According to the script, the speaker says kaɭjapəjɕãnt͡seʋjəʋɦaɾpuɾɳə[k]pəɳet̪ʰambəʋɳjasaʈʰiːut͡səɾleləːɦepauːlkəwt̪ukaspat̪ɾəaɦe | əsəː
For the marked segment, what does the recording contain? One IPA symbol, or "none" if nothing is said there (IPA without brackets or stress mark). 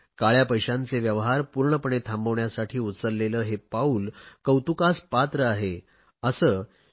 none